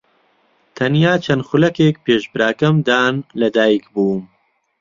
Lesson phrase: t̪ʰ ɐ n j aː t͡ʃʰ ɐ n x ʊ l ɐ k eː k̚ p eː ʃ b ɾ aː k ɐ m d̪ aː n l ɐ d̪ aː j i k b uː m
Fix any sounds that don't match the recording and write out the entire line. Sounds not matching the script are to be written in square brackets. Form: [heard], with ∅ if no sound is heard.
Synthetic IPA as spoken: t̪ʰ ɐ n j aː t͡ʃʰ ɐ n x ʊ l ɐ k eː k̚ p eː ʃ b ɾ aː k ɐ m d̪ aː n l ɐ d̪ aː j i k b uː m